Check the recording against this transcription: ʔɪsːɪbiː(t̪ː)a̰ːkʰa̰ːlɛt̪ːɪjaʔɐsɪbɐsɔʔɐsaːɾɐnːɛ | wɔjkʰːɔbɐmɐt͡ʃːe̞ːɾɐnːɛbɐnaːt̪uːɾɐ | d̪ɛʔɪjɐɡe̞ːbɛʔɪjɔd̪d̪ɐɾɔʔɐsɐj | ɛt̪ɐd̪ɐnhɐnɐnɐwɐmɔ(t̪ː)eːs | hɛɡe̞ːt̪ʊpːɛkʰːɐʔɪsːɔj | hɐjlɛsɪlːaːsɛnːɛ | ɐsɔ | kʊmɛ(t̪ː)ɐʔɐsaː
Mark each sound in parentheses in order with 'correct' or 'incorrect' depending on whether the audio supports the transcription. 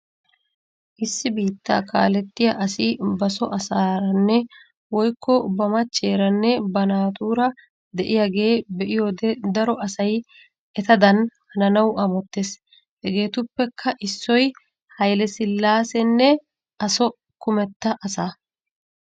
correct, correct, correct

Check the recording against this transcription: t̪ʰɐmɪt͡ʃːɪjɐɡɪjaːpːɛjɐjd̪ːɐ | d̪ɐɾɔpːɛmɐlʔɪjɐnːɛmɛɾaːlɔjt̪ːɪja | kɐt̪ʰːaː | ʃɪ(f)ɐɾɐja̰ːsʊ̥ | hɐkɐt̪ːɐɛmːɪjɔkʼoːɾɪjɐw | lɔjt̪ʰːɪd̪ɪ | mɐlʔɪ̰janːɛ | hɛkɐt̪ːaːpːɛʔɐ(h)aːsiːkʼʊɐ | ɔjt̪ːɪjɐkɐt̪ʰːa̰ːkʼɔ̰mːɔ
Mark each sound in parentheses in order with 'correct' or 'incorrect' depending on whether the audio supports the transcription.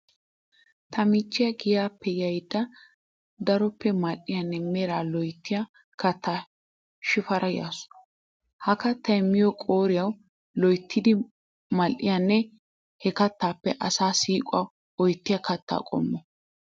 correct, incorrect

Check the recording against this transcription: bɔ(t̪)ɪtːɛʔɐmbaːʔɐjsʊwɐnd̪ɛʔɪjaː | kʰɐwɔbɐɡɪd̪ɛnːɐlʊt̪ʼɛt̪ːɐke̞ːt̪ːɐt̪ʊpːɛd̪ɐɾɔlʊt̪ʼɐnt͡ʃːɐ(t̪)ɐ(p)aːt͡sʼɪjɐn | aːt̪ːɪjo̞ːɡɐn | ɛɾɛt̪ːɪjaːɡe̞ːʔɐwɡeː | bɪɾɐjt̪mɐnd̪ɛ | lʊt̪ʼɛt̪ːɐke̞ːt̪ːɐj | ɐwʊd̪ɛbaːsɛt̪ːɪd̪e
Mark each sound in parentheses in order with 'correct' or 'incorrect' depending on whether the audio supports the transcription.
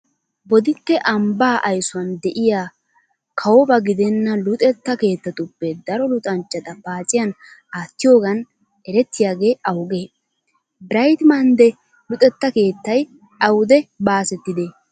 incorrect, correct, correct

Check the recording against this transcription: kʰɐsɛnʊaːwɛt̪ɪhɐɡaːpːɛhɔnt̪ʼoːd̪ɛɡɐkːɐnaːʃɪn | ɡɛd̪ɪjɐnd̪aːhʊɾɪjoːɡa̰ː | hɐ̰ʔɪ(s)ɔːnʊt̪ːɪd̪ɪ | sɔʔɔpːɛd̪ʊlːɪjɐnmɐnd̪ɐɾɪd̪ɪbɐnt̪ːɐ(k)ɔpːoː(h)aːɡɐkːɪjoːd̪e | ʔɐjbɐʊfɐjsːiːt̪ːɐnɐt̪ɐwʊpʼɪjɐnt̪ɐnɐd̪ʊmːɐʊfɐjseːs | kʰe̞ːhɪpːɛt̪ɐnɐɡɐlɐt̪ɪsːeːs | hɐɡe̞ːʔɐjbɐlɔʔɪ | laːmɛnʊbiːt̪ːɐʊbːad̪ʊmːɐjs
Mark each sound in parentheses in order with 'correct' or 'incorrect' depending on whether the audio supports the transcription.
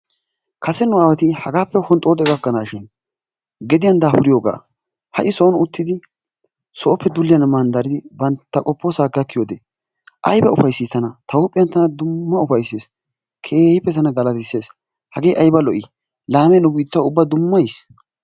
correct, incorrect, incorrect

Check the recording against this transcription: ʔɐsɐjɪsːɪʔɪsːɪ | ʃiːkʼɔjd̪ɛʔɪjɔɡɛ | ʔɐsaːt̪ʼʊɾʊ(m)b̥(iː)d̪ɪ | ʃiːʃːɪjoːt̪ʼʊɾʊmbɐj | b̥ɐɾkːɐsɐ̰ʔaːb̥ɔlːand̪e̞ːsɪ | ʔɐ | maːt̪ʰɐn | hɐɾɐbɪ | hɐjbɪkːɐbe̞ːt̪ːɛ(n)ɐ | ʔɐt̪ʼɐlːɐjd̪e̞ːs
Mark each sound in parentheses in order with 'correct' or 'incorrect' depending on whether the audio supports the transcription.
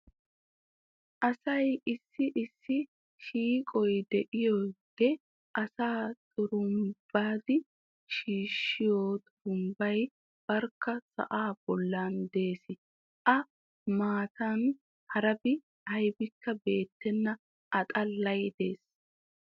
correct, incorrect, incorrect

